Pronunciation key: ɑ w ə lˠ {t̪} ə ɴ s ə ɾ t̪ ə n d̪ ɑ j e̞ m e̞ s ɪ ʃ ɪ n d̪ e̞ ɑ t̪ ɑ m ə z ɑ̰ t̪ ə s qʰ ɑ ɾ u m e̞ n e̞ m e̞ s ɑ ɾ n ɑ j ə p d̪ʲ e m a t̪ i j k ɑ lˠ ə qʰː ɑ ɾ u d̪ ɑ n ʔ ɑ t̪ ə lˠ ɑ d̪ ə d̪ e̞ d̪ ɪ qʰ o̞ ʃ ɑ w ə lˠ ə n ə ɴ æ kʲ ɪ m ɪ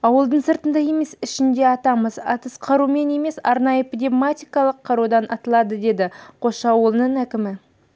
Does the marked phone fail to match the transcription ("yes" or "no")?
yes